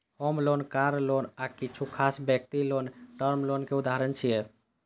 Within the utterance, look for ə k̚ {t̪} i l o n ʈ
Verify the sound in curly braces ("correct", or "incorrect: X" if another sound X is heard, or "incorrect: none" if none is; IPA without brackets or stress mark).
correct